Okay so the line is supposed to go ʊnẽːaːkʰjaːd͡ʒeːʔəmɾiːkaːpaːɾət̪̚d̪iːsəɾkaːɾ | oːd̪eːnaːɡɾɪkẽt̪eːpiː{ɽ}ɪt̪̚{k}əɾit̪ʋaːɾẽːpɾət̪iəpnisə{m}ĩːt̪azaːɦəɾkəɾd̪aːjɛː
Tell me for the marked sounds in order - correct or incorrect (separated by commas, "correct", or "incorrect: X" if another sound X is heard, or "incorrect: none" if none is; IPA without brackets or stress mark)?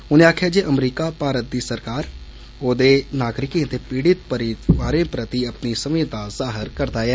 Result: correct, incorrect: p, correct